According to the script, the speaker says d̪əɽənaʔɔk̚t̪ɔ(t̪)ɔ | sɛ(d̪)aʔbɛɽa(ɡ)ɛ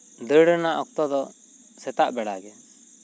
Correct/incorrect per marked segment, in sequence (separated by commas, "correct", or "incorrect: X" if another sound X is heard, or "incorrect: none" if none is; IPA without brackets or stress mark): incorrect: d̪, incorrect: t̪, correct